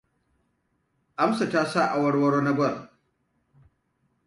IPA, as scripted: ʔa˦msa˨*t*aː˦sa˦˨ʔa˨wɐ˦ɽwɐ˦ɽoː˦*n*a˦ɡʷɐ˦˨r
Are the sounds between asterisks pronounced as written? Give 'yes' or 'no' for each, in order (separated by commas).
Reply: yes, yes